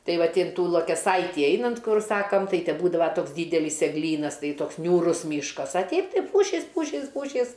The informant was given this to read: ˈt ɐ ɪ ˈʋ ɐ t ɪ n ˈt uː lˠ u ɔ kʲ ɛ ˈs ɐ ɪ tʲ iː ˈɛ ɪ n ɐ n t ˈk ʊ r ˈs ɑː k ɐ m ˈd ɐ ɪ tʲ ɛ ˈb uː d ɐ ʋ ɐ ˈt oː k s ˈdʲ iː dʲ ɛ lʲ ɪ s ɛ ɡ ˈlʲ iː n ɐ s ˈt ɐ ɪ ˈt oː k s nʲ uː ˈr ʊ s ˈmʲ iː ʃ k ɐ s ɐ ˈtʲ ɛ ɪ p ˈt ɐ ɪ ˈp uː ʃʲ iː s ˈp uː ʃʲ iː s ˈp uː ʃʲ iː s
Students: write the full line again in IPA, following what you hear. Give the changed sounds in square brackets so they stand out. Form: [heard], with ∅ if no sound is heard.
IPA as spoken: ˈt ɐ ɪ ˈʋ ɐ t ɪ n ˈt uː lˠ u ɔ kʲ ɛ ˈs ɐ ɪ tʲ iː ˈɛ ɪ n ɐ n t ˈk ʊ r ˈs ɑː k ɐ m [ˈt] ɐ ɪ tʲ ɛ ˈb uː d ɐ ʋ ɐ ˈt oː k s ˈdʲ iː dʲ ɛ lʲ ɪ s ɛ ɡ ˈlʲ iː n ɐ s ˈt ɐ ɪ ˈt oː k s nʲ uː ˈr ʊ s ˈmʲ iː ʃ k ɐ s ɐ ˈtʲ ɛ ɪ p ˈt ɐ ɪ ˈp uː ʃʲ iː s ˈp uː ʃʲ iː s ˈp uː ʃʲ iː s

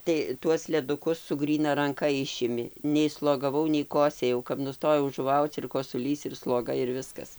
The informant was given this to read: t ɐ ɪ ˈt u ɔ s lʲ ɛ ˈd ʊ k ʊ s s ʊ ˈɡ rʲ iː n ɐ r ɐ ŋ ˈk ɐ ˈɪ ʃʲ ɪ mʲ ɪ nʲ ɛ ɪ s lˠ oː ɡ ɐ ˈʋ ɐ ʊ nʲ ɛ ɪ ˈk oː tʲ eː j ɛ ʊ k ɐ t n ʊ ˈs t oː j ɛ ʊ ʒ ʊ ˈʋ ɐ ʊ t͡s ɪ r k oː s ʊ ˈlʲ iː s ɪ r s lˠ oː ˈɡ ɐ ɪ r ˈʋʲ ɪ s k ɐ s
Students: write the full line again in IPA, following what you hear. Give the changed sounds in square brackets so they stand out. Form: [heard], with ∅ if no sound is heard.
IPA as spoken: t ɐ ɪ ˈt u ɔ s lʲ ɛ ˈd ʊ k ʊ s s ʊ ˈɡ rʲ iː n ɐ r ɐ ŋ ˈk ɐ ˈɪ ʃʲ ɪ mʲ ɪ nʲ ɛ ɪ s lˠ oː ɡ ɐ ˈʋ ɐ ʊ nʲ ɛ ɪ ˈk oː [sʲ] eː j ɛ ʊ k ɐ [p] n ʊ ˈs t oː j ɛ ʊ ʒ ʊ ˈʋ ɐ ʊ t͡s ɪ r k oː s ʊ ˈlʲ iː s ɪ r s lˠ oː ˈɡ ɐ ɪ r ˈʋʲ ɪ s k ɐ s

